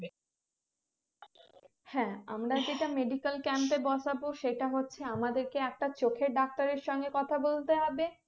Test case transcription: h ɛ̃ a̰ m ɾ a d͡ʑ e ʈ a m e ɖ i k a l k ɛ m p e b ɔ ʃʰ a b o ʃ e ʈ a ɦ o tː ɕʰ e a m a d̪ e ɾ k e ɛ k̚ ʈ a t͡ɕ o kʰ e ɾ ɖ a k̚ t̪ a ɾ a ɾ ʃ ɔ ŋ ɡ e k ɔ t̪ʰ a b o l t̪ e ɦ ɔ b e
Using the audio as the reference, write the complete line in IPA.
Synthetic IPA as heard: h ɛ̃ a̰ m ɾ a d͡ʑ e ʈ a m e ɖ i k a l k ɛ m p e b ɔ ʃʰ a b o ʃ e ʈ a ɦ o tː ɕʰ e a m a d̪ e ɾ k e ɛ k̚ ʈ a t͡ɕ o kʰ e ɾ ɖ a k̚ t̪ a ɾ e ɾ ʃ ɔ ŋ ɡ e k ɔ t̪ʰ a b o l t̪ e ɦ ɔ b e